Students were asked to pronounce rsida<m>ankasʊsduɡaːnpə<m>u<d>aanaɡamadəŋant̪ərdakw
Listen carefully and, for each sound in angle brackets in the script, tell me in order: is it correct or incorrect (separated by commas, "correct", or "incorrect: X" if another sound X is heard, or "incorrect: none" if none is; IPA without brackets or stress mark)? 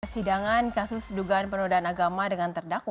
incorrect: ŋ, incorrect: n, correct